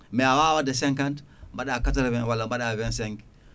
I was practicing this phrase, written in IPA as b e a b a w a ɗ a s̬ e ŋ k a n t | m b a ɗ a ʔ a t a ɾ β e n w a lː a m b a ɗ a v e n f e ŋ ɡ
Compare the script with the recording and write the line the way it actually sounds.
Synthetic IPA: m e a w a w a d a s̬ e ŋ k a n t | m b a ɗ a k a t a ɾ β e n w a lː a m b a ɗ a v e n s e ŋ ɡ